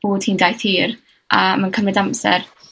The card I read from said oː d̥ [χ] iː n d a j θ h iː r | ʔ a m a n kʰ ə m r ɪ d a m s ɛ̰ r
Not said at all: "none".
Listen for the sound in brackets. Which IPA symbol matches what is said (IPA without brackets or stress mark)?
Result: h